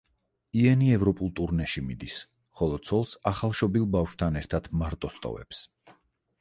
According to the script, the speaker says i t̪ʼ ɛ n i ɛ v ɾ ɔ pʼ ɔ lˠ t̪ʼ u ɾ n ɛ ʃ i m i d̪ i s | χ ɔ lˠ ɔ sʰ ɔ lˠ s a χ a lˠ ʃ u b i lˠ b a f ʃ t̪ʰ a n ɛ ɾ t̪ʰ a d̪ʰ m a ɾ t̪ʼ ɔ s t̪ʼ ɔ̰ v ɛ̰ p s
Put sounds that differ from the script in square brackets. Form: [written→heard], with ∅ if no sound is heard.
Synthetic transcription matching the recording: i [t̪ʼ→∅] ɛ n i ɛ v ɾ ɔ pʼ [ɔ→u] lˠ t̪ʼ u ɾ n ɛ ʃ i m i d̪ i s | χ ɔ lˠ ɔ sʰ ɔ lˠ s a χ a lˠ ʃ [u→ɔ] b i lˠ b a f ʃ t̪ʰ a n ɛ ɾ t̪ʰ a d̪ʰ m a ɾ t̪ʼ ɔ s t̪ʼ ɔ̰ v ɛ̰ p s